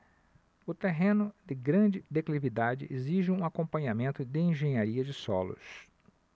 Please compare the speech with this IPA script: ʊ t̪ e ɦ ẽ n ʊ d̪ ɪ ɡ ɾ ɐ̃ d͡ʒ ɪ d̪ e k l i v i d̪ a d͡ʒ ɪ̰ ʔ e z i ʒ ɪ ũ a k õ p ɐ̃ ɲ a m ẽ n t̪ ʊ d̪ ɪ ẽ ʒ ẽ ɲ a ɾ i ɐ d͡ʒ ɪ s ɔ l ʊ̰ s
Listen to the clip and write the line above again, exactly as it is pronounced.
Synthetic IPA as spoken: ʊ t̪ e ɦ ẽ n ʊ d̪ ɪ ɡ ɾ ɐ̃ d͡ʒ ɪ d̪ e k l i v i d̪ a d͡ʒ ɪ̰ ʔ e z i ʒ ɪ ũ a k õ p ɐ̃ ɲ a m ẽ n t̪ ʊ d̪ ɪ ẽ ʒ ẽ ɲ a ɾ i ɐ d͡ʒ ɪ s ɔ l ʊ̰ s